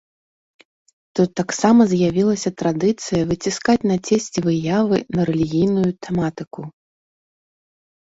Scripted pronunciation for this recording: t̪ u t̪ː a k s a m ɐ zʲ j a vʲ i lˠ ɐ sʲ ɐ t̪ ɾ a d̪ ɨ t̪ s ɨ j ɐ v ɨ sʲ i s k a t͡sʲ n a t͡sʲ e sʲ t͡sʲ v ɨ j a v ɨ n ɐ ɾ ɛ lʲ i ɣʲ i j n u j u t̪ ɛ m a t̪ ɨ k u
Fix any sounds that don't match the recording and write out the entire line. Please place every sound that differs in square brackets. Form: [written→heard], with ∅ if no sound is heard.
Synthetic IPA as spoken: t̪ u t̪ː a k s a m ɐ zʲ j a vʲ i lˠ ɐ sʲ ɐ t̪ ɾ a d̪ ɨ t̪ s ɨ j ɐ v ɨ [sʲ→t͡sʲ] i s k a t͡sʲ n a t͡sʲ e sʲ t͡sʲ v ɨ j a v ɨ n ɐ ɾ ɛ lʲ i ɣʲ i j n u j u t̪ ɛ m a t̪ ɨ k u